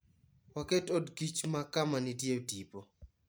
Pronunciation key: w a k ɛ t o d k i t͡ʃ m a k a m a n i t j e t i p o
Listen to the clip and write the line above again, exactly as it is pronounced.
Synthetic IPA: w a k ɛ t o d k i t͡ʃ m a k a m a n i t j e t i p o

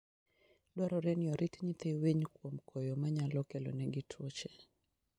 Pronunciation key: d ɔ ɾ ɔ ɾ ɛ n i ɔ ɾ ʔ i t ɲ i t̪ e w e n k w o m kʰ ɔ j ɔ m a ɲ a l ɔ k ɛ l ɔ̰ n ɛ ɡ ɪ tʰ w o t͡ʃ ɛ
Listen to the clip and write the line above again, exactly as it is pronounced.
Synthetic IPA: d ɔ ɾ ɔ ɾ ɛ n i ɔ ɾ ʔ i t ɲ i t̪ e w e ɲ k w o m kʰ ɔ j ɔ m a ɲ a l ɔ k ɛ l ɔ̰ n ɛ ɡ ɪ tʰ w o t͡ʃ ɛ

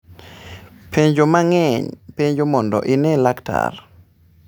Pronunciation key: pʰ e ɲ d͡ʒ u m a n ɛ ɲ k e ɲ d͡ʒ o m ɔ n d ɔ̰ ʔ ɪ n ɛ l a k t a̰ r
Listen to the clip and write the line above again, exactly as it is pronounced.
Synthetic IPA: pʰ e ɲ d͡ʒ o m a ŋ ɛ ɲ p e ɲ d͡ʒ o m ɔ n d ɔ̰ ʔ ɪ n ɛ l a k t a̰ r

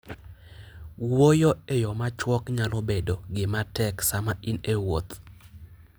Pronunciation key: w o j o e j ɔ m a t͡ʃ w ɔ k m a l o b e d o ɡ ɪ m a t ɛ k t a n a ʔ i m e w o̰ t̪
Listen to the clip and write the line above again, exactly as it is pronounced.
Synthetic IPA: w o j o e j ɔ m a t͡ʃ w ɔ k ɲ a l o b e d o ɡ ɪ m a t ɛ k s a m a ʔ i n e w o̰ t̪

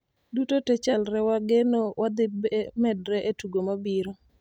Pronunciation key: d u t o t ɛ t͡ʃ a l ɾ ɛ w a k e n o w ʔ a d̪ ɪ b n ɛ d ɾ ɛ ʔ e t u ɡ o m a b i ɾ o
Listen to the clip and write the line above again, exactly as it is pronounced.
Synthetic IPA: d u t o t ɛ t͡ʃ a l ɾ ɛ w a ɡ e n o w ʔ a d̪ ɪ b m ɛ d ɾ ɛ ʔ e t u ɡ o m a b i ɾ o

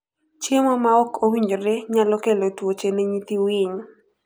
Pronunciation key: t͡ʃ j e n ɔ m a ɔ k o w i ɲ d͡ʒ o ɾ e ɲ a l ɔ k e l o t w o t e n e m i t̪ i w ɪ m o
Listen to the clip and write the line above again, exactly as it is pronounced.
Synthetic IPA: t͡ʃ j e m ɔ m a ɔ k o w i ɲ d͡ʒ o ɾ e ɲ a l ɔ k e l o t w o t͡ʃ e n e ɲ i t̪ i w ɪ ɲ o

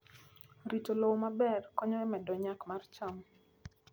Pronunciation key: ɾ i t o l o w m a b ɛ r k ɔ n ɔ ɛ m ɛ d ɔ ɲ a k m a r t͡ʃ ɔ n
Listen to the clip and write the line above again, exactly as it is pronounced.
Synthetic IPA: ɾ i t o l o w m a b ɛ r k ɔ ɲ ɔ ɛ m ɛ d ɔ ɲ a k m a r t͡ʃ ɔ m

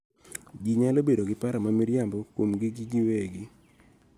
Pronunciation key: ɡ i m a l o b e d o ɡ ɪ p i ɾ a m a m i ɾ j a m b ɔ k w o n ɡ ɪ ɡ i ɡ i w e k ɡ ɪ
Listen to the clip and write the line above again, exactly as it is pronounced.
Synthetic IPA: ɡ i ɲ a l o b e d o ɡ ɪ p a ɾ a m a m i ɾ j a m b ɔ k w o m ɡ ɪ ɡ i ɡ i w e ɡ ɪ

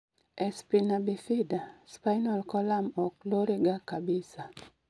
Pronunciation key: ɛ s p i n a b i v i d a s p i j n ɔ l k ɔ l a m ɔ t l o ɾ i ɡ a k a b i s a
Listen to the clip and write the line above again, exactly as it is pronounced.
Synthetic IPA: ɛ s p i n a b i f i d a s p a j n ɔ l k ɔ l a m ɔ k l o ɾ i ɡ a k a b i s a

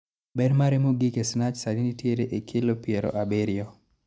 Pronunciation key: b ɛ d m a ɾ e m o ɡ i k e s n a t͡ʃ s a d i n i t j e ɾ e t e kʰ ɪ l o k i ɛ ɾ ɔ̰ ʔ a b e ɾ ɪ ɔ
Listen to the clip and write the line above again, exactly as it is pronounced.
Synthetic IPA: b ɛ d m a ɾ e m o ɡ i k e s n a t͡ʃ s a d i n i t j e ɾ e ʔ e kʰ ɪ l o p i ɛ ɾ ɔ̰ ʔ a b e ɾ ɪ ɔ

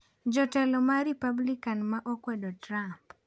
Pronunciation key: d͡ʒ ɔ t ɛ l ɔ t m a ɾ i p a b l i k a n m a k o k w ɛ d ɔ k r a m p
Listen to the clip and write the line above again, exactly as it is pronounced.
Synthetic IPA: d͡ʒ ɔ t ɛ l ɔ m a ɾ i p a b l i k a n m a ʔ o k w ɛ d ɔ t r a m p

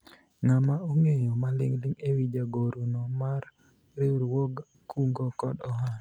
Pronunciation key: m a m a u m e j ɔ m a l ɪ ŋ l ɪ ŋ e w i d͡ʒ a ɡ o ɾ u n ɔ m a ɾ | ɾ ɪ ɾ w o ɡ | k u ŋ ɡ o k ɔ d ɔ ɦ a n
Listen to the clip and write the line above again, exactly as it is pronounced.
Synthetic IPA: ŋ a m a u ŋ e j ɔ m a l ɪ ŋ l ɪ ŋ e w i d͡ʒ a ɡ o ɾ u n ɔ m a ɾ | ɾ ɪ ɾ w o ɡ | k u ŋ ɡ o k ɔ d ɔ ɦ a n

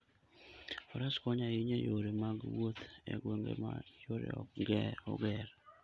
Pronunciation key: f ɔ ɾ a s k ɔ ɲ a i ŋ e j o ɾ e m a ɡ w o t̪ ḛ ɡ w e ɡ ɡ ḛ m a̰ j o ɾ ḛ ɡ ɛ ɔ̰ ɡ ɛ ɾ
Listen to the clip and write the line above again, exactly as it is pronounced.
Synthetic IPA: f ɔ ɾ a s k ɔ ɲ a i ɲ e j o ɾ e m a ɡ w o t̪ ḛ ɡ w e ŋ ɡ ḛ m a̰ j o ɾ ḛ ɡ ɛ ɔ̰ ɡ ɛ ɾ

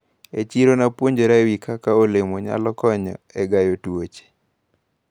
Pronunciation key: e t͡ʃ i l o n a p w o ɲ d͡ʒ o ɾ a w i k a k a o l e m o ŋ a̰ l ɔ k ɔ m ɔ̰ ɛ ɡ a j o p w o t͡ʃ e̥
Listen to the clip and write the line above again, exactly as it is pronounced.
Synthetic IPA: e t͡ʃ i ɾ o n a p w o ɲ d͡ʒ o ɾ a w i k a k a o l e m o ɲ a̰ l ɔ k ɔ ɲ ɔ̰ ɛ ɡ a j o t w o t͡ʃ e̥

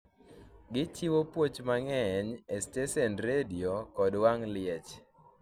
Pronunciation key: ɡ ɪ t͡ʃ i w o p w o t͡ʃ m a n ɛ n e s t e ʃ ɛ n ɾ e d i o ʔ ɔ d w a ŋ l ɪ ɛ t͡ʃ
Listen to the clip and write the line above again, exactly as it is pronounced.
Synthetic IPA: ɡ ɪ t͡ʃ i w o p w o t͡ʃ m a ŋ ɛ ɲ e s t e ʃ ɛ n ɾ e d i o k ɔ d w a ŋ l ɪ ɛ t͡ʃ

